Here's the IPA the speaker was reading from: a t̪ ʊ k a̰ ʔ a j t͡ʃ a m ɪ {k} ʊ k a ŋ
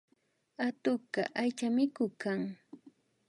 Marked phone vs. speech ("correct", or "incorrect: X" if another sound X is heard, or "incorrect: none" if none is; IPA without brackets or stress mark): correct